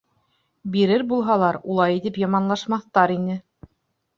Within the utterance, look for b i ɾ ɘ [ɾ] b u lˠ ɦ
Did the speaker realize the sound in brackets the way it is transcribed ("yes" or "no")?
yes